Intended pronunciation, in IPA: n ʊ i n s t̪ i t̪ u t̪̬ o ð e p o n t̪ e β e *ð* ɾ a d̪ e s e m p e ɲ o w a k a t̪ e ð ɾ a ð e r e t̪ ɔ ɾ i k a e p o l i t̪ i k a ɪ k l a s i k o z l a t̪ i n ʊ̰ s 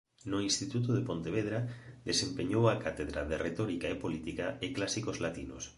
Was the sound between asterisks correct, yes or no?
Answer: yes